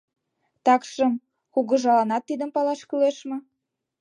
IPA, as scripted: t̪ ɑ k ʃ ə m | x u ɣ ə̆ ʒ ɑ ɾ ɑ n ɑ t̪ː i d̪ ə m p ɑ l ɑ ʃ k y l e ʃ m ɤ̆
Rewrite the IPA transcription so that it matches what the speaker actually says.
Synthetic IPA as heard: t̪ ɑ k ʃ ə m | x u ɣ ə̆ ʒ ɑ l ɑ n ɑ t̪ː i d̪ ə m p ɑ l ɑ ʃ k y l e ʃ m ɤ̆